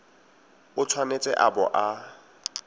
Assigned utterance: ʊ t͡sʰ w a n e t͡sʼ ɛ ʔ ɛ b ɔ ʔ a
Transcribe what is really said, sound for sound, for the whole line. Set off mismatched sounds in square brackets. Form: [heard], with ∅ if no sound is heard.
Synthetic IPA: ʊ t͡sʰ w a n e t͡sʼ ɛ ʔ [a] b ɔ ʔ a